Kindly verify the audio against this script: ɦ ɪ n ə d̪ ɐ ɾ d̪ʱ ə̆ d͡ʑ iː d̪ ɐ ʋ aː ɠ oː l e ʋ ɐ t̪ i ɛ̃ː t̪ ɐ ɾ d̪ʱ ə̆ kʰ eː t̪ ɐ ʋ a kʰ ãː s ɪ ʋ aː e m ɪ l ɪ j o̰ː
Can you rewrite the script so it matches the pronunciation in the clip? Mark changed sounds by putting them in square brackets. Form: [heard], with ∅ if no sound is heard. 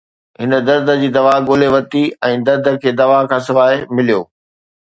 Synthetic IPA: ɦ ɪ n ə d̪ ɐ ɾ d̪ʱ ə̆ d͡ʑ iː d̪ ɐ ʋ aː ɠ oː l e ʋ ɐ t̪ i ɛ̃ː [d̪] ɐ ɾ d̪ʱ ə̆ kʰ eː [d̪] ɐ ʋ a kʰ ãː s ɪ ʋ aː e m ɪ l [i] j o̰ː